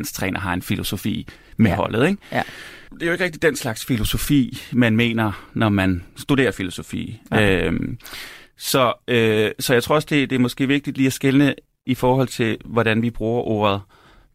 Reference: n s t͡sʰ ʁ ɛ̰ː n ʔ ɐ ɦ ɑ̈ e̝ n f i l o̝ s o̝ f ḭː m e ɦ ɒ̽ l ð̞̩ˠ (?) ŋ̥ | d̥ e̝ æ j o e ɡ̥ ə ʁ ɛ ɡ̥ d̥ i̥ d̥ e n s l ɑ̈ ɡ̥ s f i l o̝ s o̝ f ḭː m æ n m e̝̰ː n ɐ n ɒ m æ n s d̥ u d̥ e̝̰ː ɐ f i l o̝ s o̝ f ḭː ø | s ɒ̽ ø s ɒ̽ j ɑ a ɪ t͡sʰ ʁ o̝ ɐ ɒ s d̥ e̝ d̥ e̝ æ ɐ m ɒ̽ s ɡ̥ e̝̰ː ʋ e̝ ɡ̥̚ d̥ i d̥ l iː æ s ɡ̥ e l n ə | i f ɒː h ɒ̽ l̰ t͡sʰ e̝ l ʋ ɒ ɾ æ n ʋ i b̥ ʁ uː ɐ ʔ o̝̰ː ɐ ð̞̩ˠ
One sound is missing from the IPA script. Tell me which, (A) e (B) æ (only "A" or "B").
A